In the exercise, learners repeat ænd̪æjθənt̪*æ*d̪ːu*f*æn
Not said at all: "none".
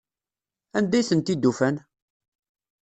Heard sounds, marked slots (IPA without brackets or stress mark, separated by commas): i, f